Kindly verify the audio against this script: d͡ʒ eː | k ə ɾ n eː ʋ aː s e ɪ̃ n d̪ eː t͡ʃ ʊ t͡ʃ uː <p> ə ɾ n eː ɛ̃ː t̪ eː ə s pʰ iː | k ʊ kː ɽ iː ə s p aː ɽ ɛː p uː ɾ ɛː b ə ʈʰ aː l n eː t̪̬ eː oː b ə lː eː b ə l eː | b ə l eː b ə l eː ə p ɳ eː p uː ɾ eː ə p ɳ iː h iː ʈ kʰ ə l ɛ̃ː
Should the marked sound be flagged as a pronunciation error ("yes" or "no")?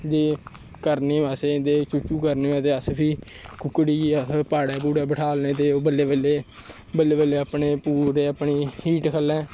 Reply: yes